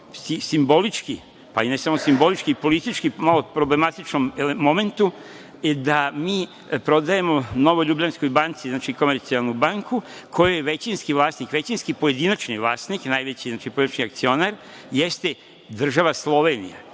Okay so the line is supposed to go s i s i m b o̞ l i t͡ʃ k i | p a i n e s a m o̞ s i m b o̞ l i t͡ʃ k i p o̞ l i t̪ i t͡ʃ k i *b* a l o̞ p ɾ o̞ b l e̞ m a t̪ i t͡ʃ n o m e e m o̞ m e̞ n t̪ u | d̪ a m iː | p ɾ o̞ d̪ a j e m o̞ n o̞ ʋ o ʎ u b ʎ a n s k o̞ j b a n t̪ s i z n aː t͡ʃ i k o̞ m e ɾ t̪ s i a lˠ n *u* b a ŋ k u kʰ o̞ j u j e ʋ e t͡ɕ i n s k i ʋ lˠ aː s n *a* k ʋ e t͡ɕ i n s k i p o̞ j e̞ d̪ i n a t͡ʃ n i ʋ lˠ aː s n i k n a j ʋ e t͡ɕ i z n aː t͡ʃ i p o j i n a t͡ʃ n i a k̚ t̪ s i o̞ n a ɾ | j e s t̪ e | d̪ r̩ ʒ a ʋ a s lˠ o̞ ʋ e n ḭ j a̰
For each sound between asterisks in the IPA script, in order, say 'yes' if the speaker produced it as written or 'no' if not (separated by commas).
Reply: no, yes, no